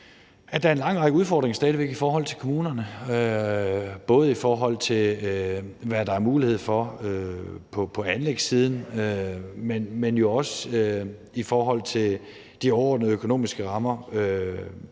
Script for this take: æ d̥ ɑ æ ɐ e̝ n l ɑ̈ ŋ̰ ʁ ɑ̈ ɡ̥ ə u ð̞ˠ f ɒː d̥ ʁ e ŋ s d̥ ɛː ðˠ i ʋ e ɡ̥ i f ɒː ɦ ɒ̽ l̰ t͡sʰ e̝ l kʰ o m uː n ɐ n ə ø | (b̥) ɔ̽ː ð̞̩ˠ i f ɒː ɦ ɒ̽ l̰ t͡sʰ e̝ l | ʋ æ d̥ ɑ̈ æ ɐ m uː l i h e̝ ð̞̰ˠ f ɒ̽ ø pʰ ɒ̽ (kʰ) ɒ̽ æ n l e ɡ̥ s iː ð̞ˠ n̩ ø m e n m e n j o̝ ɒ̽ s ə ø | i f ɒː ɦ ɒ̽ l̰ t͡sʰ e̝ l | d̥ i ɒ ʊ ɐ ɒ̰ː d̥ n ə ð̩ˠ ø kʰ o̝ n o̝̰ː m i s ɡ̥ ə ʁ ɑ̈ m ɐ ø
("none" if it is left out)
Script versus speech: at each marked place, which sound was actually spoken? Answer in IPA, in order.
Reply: b̥, pʰ

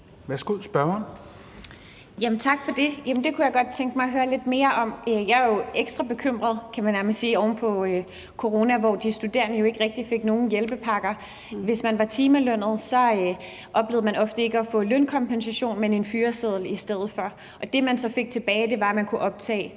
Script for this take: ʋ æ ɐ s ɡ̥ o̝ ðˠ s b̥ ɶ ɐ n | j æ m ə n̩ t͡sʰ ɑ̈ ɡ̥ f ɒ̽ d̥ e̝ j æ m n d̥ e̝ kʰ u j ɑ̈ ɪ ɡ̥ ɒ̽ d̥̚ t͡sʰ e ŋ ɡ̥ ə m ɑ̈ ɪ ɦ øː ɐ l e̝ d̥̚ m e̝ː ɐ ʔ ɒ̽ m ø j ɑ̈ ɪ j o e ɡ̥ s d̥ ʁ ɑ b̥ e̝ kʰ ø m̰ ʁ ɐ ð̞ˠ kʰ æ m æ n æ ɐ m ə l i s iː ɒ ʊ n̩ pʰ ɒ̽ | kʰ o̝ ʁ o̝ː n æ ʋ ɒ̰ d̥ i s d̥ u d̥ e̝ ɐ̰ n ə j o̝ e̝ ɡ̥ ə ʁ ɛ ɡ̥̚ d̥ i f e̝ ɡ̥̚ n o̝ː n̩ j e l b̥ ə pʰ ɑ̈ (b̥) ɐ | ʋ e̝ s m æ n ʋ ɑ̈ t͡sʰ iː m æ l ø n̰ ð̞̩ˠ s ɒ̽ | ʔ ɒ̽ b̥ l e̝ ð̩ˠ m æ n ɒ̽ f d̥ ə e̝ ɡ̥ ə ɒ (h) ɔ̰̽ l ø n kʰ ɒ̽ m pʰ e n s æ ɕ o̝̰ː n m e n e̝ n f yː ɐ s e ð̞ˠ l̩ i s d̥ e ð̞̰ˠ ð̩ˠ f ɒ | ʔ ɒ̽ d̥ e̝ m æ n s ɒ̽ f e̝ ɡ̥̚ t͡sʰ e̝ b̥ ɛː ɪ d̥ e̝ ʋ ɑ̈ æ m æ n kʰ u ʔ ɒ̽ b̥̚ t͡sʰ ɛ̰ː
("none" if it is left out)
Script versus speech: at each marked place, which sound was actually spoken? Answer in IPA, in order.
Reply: ɡ̥, f

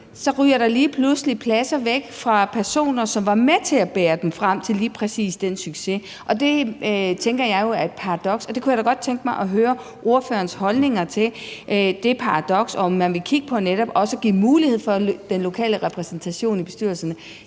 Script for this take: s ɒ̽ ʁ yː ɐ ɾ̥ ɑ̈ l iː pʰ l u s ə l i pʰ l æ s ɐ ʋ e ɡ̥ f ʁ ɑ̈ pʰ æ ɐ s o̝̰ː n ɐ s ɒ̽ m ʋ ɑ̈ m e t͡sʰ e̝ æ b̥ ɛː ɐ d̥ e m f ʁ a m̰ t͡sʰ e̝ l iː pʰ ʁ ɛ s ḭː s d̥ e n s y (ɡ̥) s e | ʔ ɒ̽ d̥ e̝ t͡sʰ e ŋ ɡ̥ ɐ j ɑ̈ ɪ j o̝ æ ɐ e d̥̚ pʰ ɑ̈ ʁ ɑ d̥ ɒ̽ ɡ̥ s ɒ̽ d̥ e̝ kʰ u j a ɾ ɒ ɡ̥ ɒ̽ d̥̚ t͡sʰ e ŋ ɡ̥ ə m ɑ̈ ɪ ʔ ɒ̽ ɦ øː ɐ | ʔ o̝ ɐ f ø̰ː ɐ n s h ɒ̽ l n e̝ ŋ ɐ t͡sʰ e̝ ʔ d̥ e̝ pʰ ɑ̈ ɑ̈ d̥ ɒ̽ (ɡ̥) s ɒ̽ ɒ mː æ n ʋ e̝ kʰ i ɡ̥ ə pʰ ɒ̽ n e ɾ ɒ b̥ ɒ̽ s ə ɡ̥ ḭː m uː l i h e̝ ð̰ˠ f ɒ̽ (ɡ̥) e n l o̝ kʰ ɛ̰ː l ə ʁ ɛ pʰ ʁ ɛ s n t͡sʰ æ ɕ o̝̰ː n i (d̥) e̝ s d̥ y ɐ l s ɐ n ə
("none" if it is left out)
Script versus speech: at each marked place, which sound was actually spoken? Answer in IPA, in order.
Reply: ɡ̥, ɡ̥, d̥, b̥

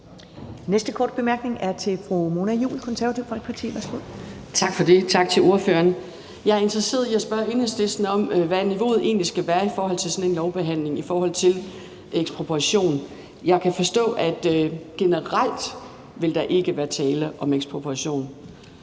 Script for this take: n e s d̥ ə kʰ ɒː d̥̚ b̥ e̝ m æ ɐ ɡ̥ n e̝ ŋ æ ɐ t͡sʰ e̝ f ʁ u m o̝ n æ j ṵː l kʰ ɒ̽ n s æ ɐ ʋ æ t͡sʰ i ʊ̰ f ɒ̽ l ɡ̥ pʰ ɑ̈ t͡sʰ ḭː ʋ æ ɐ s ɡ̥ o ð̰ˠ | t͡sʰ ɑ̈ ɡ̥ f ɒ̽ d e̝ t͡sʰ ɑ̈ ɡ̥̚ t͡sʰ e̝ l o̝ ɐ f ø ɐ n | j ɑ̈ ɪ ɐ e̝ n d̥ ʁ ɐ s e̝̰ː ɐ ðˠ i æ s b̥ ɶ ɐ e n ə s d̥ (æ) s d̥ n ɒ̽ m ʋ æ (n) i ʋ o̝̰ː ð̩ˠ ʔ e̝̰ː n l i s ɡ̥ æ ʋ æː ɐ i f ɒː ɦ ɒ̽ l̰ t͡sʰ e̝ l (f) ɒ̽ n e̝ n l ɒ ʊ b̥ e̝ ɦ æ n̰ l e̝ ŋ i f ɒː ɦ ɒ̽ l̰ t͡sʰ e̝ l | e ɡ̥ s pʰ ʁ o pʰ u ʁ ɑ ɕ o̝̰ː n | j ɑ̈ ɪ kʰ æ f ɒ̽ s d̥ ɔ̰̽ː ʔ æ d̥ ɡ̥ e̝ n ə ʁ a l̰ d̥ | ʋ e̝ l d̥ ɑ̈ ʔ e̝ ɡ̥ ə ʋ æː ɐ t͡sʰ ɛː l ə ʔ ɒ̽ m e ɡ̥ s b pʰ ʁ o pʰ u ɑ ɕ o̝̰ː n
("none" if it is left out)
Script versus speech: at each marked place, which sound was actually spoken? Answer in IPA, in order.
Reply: e, n, s

